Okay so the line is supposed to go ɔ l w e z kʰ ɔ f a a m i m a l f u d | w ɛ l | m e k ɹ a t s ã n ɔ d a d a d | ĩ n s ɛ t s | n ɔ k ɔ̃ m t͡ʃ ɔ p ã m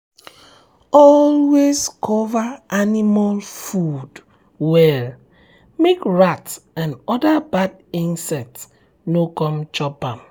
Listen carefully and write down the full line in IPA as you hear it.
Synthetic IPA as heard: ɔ l w e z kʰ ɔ v a a n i m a l f u d | w ɛ l | m e k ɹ a t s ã n ɔ d a b a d | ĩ n s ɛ t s | n o k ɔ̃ m t͡ʃ ɔ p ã m